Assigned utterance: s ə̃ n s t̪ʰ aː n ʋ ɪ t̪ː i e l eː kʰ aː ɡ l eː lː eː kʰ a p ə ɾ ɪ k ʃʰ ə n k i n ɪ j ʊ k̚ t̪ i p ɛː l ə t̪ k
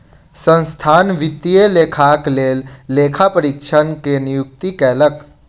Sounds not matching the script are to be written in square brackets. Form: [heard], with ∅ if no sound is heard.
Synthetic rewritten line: s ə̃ n s t̪ʰ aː n ʋ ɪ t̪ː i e l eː kʰ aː [k] l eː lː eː kʰ a p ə ɾ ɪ k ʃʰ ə n k [e] n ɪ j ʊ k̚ t̪ i [k] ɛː l ə [∅] k